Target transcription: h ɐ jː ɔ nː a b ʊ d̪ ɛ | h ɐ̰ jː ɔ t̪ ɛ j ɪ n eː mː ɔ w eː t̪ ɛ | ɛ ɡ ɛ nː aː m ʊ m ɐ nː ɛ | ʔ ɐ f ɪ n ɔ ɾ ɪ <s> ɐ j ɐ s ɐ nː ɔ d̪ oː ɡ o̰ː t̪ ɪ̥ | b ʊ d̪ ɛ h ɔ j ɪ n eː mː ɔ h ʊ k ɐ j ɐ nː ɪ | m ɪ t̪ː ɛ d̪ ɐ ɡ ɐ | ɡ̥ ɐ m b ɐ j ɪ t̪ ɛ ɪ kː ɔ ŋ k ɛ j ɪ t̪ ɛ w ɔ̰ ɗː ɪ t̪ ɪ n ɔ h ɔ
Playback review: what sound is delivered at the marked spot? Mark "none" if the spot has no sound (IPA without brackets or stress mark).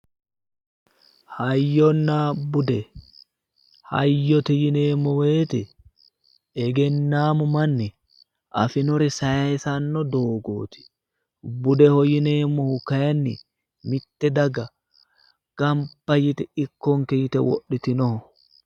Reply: s